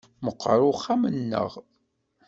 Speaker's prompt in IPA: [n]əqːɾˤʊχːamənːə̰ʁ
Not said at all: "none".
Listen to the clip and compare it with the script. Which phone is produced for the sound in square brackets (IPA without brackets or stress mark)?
m